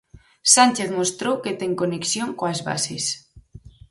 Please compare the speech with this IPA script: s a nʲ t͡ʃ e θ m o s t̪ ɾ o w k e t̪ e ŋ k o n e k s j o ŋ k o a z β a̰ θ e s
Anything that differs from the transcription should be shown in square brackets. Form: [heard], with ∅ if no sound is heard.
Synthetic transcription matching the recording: s a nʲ t͡ʃ e θ m o s t̪ ɾ o w k e t̪ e ŋ k o n e k s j o ŋ k o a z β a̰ [s] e s